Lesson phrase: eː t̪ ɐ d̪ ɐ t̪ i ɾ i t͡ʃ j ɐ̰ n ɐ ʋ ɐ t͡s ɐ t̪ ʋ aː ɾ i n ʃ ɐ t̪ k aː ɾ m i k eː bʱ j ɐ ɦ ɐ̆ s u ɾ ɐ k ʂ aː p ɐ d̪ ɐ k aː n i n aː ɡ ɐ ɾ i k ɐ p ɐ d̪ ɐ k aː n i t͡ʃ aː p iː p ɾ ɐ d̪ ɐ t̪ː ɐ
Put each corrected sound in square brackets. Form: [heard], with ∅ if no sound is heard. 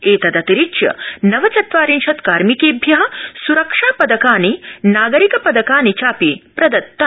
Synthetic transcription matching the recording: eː t̪ ɐ d̪ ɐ t̪ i ɾ i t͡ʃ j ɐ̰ n ɐ ʋ ɐ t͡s ɐ t̪ ʋ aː ɾ i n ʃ ɐ t̪ k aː ɾ m i k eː bʱ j ɐ ɦ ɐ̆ s u ɾ ɐ k ʂ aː p ɐ d̪ ɐ k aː n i n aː ɡ ɐ ɾ i k ɐ p ɐ d̪ ɐ k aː n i t͡ʃ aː p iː p ɾ ɐ d̪ ɐ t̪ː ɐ